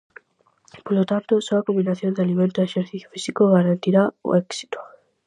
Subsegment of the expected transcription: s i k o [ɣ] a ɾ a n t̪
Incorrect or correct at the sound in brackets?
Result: correct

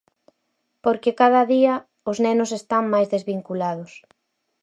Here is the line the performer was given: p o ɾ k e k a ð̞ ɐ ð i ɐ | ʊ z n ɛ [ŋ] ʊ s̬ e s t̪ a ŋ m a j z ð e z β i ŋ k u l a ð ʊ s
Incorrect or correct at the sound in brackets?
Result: incorrect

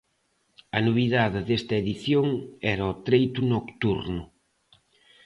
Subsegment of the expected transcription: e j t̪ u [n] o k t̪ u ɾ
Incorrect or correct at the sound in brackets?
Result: correct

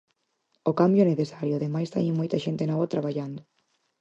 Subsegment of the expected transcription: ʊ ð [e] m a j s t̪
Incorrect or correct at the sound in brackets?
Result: correct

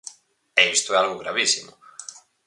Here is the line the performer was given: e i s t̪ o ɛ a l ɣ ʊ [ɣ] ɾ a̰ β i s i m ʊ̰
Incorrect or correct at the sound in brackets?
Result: correct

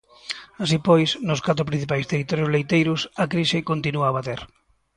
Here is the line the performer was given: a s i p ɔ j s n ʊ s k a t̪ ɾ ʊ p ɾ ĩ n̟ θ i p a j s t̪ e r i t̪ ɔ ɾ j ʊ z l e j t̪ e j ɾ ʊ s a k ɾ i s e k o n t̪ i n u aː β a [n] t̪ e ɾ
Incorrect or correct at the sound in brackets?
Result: incorrect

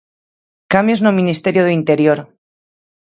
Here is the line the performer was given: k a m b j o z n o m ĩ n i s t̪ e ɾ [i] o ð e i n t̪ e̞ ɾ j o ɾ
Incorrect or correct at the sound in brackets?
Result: incorrect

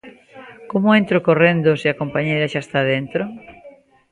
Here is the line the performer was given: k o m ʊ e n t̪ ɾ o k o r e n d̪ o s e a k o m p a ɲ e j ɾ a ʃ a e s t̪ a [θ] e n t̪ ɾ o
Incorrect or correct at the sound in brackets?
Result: incorrect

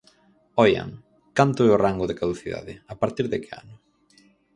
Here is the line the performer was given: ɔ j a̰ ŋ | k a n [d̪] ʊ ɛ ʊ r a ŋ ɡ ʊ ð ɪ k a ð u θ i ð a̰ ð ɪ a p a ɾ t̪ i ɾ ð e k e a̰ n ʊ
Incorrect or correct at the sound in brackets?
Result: incorrect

